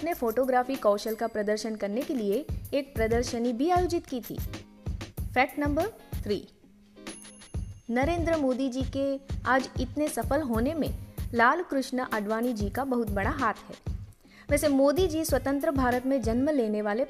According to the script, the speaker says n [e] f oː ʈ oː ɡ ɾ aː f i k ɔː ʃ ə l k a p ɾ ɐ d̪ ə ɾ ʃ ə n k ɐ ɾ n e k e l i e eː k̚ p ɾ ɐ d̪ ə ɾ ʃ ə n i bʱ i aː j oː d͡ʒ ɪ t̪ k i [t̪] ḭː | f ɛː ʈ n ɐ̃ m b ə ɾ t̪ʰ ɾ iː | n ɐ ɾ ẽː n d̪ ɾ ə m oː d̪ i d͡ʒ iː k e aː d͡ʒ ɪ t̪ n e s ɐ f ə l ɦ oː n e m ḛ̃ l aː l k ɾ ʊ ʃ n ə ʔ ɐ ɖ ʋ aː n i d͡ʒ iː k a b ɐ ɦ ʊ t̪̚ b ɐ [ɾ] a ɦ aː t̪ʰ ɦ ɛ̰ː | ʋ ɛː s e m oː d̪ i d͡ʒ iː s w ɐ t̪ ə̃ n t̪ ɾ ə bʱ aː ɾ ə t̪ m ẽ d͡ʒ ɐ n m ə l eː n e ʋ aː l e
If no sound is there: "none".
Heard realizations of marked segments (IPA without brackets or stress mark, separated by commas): e, t̪ʰ, ɽ